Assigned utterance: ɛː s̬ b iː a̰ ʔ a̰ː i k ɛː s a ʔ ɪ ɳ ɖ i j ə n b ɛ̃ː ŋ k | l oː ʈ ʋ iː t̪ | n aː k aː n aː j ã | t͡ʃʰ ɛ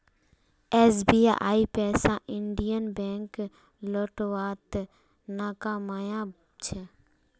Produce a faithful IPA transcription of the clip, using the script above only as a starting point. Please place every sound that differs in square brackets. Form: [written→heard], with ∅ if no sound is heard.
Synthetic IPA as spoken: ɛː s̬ b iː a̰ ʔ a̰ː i [k→p] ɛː s a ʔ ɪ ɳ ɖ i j ə n b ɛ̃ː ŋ k | l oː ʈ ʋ [iː→aː] t̪ | n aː k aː [n→m] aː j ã | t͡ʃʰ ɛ